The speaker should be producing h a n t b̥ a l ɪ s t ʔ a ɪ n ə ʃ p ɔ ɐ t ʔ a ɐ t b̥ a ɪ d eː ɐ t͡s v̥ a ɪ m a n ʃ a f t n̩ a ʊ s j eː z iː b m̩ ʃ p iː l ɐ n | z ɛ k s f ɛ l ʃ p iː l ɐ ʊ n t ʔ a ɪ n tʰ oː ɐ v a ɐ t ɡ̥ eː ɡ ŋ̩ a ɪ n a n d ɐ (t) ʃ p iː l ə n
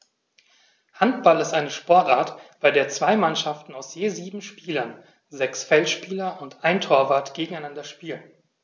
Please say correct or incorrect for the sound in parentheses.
incorrect